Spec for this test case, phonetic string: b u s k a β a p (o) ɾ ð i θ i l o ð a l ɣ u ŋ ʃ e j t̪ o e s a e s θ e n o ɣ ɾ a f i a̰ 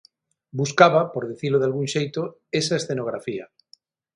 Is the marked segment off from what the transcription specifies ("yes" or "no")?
no